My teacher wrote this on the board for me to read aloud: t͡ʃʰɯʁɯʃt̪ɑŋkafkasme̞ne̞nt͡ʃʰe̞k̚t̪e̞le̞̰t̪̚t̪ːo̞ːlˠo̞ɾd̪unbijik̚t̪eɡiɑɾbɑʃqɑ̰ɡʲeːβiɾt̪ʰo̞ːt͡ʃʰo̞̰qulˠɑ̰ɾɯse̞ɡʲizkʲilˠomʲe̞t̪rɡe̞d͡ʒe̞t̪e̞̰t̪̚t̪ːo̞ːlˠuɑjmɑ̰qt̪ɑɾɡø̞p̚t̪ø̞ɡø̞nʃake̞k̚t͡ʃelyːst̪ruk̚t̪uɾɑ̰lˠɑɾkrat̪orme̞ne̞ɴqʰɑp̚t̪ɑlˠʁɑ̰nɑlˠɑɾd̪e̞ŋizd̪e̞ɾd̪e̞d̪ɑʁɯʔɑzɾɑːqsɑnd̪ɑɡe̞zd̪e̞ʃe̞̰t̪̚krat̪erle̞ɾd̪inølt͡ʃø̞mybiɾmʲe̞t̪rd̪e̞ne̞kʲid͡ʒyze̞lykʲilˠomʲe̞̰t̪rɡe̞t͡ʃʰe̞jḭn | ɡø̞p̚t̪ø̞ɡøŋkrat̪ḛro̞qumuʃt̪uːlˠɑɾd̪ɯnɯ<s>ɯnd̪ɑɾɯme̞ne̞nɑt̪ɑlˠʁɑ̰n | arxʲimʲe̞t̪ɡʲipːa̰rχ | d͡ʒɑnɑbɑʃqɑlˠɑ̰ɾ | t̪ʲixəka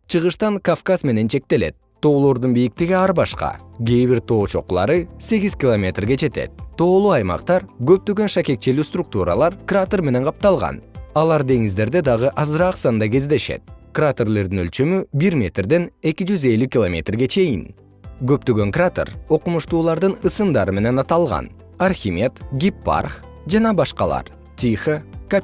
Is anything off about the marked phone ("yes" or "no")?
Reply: no